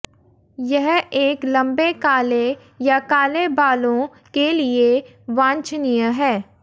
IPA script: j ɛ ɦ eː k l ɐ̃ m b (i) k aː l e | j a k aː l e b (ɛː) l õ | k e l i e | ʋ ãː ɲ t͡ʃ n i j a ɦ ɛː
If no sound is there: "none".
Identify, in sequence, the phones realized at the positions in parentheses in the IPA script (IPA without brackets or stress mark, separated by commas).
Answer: e, aː